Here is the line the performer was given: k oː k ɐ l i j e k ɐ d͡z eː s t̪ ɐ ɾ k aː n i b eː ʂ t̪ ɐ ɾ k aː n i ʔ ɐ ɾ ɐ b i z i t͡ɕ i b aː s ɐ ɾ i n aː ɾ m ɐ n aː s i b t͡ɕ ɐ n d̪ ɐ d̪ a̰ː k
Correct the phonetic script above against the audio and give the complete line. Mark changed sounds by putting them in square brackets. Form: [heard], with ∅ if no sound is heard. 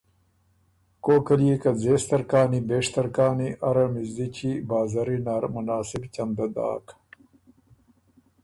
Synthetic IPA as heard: k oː k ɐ l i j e k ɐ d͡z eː s t̪ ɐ ɾ k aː n i b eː ʂ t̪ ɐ ɾ k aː n i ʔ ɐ ɾ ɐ [m] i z i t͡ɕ i b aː [z] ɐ ɾ i n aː ɾ m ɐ n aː s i b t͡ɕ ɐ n d̪ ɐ d̪ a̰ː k